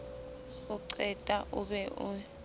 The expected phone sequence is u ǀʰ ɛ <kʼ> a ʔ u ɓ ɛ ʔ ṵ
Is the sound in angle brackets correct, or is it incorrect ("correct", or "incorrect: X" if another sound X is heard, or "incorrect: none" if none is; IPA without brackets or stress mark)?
incorrect: tʼ